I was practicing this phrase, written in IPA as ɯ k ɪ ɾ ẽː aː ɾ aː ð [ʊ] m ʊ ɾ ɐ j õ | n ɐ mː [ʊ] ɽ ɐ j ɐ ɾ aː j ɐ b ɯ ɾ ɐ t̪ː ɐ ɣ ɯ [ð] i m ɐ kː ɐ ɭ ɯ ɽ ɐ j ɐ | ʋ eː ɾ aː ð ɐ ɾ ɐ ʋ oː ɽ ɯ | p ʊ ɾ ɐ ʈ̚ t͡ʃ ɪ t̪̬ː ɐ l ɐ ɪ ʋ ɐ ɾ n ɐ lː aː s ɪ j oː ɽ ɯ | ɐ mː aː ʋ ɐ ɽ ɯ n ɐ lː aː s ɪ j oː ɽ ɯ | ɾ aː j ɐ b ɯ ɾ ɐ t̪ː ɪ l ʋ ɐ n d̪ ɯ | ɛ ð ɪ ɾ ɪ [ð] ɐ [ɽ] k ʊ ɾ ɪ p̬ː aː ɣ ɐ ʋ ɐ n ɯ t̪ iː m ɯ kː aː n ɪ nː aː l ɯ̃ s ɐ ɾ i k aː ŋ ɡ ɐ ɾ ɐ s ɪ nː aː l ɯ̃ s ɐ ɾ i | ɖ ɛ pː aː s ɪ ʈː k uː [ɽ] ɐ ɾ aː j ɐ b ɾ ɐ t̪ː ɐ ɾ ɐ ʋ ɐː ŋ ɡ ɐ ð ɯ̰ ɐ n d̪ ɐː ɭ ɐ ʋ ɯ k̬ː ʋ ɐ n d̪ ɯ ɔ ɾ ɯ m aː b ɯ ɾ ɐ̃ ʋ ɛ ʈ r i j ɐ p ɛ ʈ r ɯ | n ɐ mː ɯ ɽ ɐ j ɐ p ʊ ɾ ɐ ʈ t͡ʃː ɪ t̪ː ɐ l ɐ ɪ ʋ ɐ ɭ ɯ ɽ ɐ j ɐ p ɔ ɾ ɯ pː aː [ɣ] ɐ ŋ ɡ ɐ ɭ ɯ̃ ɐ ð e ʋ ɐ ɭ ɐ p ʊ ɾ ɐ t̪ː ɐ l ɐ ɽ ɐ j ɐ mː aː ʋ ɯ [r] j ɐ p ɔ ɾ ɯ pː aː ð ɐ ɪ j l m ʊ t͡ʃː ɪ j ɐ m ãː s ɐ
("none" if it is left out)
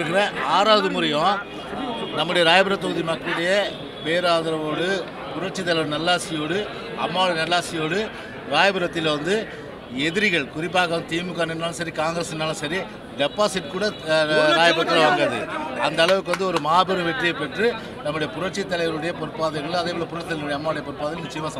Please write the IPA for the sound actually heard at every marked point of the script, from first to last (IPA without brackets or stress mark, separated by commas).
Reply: ɯ, ɯ, ð, ɣ, ɭ, ɽ, ð, ɽ